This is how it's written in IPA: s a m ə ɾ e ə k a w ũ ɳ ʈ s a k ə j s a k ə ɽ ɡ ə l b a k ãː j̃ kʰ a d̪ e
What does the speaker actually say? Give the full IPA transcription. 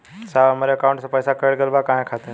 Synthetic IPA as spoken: s a m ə ɾ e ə k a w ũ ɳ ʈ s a p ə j s a k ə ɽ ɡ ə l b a k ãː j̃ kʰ a t̪ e